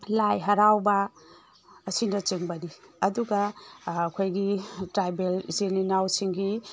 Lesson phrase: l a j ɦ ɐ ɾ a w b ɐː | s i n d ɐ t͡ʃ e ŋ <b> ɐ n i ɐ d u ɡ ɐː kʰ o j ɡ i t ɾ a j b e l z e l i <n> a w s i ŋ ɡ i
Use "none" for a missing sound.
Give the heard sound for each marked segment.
b, n

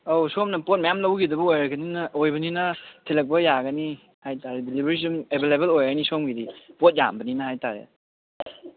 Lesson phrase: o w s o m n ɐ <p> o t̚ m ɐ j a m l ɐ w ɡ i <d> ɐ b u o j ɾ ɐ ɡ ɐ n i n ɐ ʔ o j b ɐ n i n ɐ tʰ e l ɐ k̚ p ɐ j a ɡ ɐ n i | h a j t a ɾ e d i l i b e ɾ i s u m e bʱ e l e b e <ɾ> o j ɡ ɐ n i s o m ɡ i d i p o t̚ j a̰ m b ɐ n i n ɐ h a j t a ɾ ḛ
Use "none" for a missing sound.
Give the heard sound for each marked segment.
p, d, l

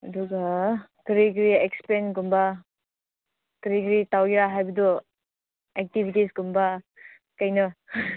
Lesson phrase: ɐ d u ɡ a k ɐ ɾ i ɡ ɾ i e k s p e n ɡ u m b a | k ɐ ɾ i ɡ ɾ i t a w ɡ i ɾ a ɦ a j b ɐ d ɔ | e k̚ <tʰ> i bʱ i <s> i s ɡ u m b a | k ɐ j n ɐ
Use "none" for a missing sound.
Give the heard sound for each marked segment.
t, t

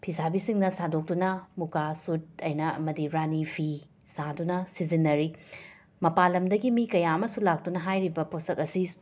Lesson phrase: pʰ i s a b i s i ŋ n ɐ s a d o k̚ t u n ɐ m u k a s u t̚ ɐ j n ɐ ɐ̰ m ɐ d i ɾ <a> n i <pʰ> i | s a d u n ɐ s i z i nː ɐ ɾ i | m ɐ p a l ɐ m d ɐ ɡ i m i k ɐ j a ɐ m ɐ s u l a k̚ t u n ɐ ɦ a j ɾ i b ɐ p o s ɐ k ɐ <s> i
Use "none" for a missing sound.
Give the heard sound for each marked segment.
a, pʰ, s

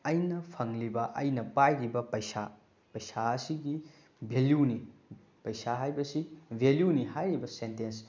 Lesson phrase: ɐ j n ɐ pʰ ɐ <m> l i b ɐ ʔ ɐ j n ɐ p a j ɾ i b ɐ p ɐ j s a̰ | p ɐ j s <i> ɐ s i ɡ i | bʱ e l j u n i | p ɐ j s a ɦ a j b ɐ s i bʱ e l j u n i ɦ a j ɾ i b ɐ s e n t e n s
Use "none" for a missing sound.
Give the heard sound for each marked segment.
ŋ, a

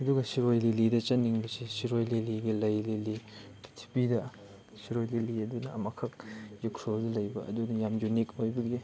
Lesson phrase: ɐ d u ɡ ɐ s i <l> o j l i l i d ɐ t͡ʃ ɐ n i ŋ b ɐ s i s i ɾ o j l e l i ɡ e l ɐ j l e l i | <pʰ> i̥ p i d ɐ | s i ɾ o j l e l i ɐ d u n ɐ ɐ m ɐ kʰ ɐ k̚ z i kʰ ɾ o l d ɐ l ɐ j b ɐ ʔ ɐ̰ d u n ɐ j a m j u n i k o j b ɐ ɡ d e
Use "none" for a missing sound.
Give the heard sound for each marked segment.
ɾ, tʰ

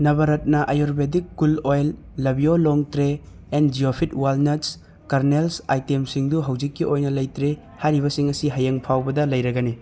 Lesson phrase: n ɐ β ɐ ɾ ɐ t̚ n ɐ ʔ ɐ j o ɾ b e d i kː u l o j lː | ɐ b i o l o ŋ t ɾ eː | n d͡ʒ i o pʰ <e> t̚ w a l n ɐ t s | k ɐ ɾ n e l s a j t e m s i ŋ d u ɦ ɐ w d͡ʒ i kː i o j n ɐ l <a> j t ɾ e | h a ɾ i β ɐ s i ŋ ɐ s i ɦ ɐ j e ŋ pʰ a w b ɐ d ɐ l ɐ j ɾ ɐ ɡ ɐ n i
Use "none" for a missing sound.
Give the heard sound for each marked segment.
i, ɐ

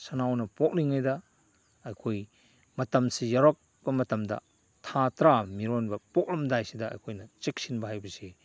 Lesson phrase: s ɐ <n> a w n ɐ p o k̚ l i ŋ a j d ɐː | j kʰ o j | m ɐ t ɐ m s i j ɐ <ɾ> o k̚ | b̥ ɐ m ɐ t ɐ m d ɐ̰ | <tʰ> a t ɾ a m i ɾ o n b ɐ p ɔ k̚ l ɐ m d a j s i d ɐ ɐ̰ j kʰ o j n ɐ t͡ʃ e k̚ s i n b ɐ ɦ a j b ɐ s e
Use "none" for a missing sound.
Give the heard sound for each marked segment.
n, ɾ, tʰ

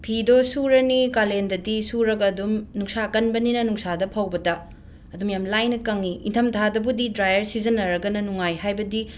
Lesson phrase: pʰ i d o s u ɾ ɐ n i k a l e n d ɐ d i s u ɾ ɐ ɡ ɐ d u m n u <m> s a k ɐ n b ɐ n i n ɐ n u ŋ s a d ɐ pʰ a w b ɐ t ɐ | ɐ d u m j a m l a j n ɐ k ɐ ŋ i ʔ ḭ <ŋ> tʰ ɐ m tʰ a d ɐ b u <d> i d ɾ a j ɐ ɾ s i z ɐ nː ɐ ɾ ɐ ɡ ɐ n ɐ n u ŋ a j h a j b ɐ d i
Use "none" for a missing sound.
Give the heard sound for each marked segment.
ŋ, n, d

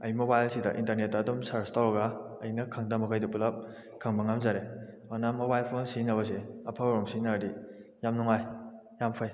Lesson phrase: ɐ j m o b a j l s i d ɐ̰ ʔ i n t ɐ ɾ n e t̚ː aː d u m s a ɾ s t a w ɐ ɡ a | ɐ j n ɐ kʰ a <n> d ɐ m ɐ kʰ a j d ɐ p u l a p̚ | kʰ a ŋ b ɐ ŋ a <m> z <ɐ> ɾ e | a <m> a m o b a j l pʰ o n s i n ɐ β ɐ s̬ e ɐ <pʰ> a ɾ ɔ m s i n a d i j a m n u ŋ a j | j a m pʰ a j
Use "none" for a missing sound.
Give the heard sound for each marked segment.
ŋ, m, a, n, pʰ

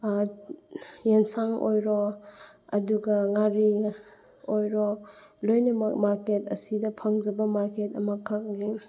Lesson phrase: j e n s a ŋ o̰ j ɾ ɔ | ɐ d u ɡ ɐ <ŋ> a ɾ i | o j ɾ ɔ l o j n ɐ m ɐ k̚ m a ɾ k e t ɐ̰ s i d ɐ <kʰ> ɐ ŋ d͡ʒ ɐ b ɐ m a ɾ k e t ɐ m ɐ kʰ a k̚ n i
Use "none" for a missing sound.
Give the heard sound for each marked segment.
ŋ, pʰ

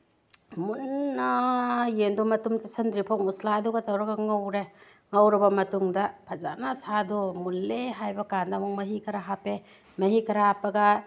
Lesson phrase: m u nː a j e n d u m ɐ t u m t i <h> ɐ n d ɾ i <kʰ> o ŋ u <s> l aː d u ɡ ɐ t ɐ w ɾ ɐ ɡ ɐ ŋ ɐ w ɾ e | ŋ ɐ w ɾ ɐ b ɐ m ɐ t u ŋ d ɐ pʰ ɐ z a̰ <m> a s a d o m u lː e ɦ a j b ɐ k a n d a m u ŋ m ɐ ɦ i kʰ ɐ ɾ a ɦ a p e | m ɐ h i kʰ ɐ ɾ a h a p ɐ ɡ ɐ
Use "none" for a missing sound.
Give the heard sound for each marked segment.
s, pʰ, s, n

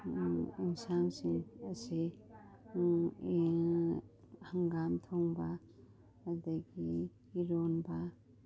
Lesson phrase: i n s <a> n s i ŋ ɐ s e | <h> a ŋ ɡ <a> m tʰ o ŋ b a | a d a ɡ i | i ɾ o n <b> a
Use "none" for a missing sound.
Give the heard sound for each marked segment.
a, h, a, b

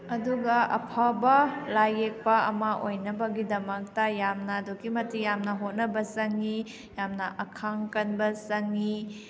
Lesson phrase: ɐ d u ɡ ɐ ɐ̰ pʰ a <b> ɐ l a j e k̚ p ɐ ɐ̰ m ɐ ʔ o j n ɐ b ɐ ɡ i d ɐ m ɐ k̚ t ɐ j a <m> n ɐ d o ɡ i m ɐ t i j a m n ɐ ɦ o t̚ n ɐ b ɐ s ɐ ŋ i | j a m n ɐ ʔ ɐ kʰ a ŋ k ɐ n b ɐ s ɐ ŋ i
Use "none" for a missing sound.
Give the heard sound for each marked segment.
b, m

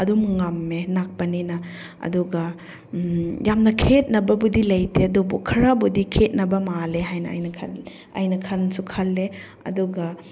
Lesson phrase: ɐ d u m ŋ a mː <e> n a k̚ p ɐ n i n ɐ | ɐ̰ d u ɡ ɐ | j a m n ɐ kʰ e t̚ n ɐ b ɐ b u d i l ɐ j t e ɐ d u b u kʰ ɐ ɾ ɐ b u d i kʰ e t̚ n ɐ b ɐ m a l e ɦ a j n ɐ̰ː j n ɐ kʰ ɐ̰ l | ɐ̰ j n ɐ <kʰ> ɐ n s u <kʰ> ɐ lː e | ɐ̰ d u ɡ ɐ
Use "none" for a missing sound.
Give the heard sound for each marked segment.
e, kʰ, kʰ

